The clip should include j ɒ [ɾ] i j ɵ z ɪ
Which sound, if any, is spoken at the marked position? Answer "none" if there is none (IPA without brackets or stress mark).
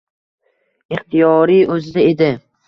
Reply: ɾ